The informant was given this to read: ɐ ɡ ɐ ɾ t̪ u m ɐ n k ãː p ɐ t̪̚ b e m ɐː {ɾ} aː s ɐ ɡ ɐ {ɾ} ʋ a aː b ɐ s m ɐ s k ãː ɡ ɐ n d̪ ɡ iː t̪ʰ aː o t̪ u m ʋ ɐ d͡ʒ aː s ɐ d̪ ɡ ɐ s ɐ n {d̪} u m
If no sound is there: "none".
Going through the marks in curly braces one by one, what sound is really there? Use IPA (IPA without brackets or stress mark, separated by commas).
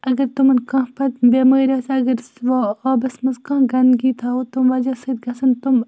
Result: ɾ, ɾ, t̪